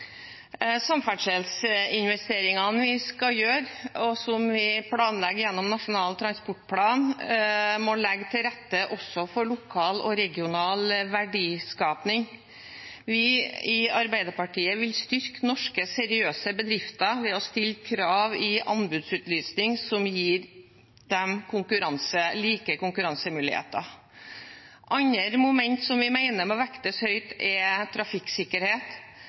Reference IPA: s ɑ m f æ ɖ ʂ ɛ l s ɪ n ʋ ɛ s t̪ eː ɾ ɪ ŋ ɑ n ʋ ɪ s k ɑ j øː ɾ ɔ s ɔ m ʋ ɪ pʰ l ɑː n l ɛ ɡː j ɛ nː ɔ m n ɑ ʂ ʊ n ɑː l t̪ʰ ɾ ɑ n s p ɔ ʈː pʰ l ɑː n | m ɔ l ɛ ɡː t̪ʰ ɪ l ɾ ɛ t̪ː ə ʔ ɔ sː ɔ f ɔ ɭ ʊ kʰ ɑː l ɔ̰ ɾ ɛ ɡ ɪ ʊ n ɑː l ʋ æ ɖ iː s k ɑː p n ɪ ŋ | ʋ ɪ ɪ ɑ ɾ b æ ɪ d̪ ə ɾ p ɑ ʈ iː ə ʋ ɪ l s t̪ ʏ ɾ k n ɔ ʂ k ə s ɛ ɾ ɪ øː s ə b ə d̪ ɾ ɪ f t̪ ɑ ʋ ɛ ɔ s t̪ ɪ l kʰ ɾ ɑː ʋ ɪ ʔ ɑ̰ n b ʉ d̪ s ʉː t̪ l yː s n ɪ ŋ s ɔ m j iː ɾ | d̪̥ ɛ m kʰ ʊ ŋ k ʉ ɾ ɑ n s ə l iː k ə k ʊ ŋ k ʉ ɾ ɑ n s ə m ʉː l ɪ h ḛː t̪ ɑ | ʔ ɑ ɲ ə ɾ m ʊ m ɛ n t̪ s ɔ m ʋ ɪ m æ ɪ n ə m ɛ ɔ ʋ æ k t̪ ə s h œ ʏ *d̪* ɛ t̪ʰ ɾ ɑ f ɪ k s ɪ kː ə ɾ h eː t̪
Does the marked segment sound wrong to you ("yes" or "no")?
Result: yes